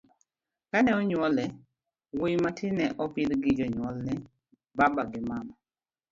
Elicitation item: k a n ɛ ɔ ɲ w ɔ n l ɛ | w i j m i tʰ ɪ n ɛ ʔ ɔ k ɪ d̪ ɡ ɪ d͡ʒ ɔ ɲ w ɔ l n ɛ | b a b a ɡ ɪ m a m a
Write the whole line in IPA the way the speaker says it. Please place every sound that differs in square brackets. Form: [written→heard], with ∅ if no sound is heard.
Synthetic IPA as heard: k a n ɛ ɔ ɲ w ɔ [n→∅] l ɛ | w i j m [i→a] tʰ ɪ n ɛ ʔ ɔ [k→p] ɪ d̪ ɡ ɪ d͡ʒ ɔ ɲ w ɔ l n ɛ | b a b a ɡ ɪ m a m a